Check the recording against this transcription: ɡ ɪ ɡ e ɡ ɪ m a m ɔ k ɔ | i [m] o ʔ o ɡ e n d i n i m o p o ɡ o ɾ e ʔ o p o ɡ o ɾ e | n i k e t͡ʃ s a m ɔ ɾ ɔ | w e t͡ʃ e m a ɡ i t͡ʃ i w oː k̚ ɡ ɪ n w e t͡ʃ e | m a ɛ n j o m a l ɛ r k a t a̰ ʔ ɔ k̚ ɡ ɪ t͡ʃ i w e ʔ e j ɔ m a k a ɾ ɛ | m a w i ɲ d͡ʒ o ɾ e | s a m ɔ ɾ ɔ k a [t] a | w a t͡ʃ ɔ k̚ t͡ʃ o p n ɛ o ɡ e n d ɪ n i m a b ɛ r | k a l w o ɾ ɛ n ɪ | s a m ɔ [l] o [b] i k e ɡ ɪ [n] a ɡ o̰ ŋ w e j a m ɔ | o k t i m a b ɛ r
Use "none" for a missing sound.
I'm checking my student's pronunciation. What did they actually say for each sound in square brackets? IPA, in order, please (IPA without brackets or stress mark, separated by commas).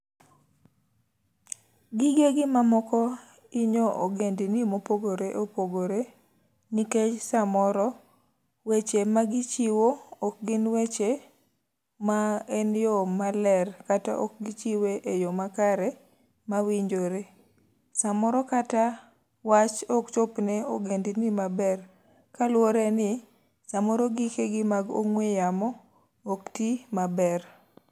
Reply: ɲ, t, ɾ, ɡ, m